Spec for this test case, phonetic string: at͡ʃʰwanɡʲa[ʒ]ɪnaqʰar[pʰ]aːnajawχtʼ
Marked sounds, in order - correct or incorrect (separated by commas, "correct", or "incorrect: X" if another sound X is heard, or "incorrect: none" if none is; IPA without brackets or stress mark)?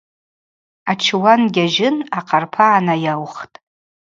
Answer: correct, correct